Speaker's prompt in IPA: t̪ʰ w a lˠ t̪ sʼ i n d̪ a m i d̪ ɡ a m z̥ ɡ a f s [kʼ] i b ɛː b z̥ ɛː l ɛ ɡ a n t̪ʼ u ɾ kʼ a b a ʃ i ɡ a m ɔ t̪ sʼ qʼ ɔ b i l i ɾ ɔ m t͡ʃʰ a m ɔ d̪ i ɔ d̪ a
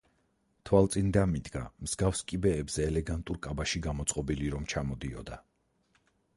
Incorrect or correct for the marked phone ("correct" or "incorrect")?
correct